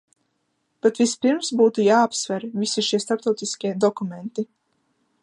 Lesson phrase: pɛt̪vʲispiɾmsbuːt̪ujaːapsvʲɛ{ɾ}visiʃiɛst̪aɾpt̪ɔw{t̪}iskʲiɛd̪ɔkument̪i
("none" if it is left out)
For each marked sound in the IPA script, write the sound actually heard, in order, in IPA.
ɾ, t̪

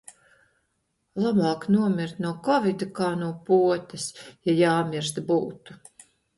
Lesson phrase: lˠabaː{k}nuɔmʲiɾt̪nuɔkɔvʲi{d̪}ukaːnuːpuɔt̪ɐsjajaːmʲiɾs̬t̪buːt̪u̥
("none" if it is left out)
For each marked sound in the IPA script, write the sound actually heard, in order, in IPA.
k, d̪

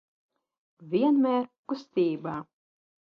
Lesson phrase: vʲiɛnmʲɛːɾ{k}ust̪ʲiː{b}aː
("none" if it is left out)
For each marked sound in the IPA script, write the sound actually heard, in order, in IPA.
k, b

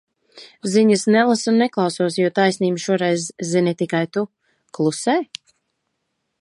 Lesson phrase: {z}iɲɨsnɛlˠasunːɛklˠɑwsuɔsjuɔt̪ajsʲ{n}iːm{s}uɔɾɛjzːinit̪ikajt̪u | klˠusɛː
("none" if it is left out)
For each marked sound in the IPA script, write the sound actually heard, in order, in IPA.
z, n, ʃ

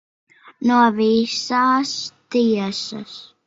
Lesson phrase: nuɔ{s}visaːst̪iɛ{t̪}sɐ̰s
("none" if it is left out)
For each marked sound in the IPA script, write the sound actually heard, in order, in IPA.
none, none

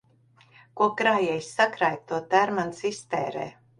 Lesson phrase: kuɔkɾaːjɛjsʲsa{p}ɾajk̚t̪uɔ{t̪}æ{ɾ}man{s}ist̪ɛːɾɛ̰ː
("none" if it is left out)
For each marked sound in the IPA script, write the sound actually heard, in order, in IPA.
k, t̪, ɾ, s

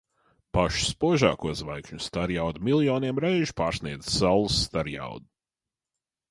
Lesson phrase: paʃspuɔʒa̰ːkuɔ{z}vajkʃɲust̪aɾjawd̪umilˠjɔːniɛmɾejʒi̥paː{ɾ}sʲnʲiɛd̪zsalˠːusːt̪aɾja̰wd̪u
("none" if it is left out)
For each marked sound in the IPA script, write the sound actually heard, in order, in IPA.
z, ɾ

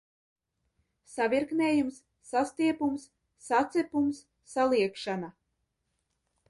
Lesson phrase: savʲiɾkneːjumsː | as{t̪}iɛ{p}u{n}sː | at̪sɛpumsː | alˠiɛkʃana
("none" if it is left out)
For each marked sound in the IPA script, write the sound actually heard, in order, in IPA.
t̪, p, m

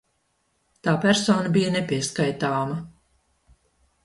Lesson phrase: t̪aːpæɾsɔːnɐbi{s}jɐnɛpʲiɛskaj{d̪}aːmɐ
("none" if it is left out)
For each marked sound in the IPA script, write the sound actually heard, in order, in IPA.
none, t̪

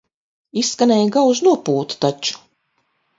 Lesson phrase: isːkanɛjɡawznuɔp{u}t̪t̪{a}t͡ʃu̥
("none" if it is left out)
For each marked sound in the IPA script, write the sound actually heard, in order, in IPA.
uː, a

